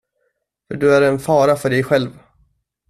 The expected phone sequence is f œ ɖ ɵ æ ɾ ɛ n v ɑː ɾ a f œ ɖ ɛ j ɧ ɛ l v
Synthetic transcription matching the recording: f œ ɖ ɵ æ ɾ ɛ n f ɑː ɾ a f œ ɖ ɛ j ɧ ɛ l v